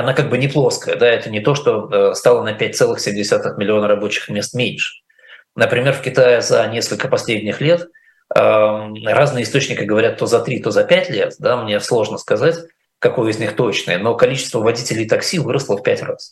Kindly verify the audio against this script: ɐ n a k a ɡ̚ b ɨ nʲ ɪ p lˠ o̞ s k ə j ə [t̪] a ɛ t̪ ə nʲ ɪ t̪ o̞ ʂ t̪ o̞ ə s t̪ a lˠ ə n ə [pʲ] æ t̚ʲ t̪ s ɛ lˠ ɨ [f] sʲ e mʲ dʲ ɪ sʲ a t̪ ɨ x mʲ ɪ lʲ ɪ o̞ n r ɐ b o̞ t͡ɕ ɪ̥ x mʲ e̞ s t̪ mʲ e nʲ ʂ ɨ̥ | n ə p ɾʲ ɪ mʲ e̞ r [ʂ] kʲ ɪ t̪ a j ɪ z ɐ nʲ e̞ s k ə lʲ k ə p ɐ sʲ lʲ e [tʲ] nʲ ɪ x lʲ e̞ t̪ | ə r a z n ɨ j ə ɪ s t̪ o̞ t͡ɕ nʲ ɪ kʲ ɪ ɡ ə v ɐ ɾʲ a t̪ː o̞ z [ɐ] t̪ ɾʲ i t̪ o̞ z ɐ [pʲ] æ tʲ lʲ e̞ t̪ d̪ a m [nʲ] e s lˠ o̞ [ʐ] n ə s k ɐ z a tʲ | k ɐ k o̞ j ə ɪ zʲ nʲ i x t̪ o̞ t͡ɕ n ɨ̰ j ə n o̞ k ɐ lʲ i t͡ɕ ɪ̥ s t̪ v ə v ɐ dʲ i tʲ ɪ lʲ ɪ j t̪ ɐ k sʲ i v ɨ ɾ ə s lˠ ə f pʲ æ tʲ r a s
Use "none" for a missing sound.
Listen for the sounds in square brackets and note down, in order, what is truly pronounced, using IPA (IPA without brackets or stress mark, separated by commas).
d̪, pʲ, x, f, dʲ, ɐ, pʲ, nʲ, ʐ